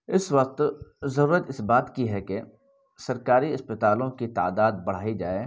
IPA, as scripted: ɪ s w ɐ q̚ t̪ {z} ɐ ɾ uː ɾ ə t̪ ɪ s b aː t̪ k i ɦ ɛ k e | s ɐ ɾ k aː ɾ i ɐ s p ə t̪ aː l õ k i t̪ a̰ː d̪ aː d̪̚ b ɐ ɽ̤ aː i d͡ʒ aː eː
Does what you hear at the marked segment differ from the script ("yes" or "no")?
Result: no